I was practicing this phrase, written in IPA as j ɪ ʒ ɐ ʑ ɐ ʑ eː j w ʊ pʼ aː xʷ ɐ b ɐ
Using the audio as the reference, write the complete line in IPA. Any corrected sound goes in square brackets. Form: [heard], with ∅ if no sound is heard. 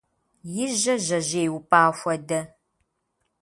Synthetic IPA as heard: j ɪ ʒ ɐ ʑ ɐ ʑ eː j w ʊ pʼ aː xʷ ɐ [d] ɐ